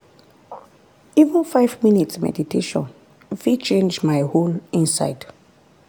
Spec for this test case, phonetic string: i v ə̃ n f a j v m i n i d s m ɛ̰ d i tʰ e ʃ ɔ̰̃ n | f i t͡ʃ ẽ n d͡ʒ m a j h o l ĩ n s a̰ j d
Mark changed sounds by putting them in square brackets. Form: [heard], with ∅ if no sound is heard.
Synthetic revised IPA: i v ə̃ n f a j v m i n i [t] s m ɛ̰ d i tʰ e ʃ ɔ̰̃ n | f i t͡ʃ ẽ n d͡ʒ m a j h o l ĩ n s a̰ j d